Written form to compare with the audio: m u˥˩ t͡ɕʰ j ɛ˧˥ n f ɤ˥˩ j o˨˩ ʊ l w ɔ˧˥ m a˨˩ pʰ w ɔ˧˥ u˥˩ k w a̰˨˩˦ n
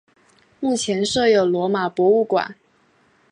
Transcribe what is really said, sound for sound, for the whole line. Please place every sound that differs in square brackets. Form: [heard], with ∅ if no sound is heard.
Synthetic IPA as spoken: m u˥˩ t͡ɕʰ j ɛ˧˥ n [ʂ] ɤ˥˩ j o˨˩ ʊ l w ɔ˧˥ m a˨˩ [p] w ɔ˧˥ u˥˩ k w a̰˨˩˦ n